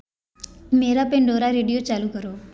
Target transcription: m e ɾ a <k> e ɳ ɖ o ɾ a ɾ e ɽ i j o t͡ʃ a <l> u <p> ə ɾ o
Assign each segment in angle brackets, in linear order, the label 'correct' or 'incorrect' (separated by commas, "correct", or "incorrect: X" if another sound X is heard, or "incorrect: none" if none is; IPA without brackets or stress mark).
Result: incorrect: p, correct, incorrect: k